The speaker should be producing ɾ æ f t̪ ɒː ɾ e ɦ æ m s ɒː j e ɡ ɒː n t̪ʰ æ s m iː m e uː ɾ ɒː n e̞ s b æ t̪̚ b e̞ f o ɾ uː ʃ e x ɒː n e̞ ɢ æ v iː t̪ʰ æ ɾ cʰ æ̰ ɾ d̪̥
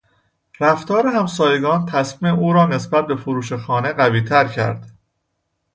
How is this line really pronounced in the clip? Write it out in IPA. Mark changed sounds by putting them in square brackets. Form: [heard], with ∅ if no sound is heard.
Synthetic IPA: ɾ æ f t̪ ɒː ɾ e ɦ æ m s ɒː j e ɡ ɒː n t̪ʰ æ s m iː m e uː ɾ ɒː n e̞ s b æ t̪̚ b e̞ f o ɾ uː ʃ e x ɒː n e̞ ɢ æ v iː t̪ʰ æ ɾ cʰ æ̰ ɾ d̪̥